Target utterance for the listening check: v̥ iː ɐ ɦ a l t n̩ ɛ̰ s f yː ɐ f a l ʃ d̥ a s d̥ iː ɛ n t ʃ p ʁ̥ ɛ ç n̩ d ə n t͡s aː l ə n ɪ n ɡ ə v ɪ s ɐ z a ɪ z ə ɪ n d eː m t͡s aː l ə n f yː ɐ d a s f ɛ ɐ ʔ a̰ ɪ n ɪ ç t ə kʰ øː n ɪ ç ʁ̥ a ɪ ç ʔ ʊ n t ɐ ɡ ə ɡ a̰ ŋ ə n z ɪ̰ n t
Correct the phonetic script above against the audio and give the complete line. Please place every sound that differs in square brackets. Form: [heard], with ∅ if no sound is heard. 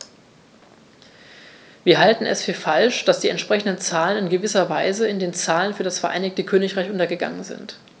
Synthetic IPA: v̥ iː ɐ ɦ a l t n̩ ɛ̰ s f yː ɐ f a l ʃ d̥ a s d̥ iː ɛ n t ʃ p ʁ̥ ɛ ç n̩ d ə n t͡s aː l ə n ɪ n ɡ ə v ɪ s ɐ [v] a ɪ z ə ɪ n d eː [n] t͡s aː l ə n f yː ɐ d a s f ɛ ɐ ʔ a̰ ɪ n ɪ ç t ə kʰ øː n ɪ ç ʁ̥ a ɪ ç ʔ ʊ n t ɐ ɡ ə ɡ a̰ ŋ ə n z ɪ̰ n t